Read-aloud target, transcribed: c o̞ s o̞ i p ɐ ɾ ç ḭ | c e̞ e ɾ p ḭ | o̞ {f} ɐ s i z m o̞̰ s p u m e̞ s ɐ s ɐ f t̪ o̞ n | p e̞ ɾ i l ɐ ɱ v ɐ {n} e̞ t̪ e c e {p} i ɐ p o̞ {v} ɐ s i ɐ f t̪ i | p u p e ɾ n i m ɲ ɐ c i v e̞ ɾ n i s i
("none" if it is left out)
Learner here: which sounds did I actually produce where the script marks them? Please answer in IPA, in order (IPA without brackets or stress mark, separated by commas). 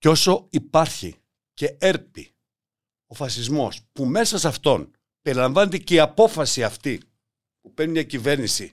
f, n, none, f